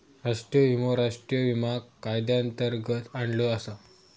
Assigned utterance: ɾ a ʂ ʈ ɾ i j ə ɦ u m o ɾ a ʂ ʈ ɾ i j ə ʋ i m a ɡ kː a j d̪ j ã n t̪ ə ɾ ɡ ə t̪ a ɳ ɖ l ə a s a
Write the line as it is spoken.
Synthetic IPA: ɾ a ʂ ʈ ɾ i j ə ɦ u m o ɾ a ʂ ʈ ɾ i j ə ʋ i m a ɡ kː a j d̪ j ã n t̪ ə ɾ ɡ ə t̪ a ɳ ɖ l ə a s a